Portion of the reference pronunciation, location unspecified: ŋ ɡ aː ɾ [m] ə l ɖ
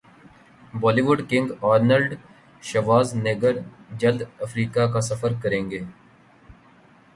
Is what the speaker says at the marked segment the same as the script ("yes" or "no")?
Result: no